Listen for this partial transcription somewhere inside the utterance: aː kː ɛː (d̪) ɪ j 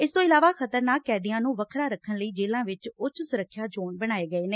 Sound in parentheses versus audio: correct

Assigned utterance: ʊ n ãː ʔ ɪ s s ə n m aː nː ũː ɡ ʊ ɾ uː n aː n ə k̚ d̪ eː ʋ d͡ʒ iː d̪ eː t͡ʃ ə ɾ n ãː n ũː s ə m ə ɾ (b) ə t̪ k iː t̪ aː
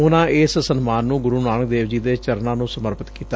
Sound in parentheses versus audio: incorrect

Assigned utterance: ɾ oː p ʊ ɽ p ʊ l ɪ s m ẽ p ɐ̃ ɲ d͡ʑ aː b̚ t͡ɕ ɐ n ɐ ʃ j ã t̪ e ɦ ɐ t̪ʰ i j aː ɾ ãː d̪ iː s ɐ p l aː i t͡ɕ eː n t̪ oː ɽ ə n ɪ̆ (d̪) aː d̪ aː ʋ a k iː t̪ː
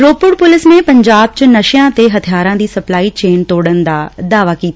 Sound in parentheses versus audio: correct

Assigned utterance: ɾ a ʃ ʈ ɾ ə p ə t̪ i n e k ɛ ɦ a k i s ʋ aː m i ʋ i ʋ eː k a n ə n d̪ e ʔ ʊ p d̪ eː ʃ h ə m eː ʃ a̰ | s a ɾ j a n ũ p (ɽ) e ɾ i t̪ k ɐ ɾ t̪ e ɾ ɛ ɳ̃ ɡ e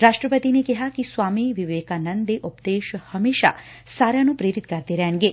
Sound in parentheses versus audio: incorrect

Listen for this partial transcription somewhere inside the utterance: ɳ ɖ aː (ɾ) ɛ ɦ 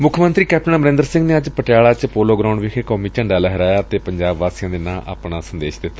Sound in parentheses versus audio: incorrect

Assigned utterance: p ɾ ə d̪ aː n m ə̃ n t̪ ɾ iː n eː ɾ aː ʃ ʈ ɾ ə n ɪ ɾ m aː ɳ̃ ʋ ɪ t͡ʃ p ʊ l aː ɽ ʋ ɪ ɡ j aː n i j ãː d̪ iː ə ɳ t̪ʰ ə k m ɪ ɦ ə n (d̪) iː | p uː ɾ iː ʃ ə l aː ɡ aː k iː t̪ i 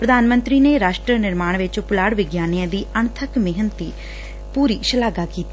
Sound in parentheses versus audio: incorrect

